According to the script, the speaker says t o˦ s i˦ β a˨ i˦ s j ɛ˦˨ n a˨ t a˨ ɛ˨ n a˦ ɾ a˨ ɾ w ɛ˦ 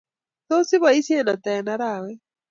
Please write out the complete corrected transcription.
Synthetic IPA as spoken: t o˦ s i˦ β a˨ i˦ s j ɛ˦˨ n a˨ t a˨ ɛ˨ n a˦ ɾ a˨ w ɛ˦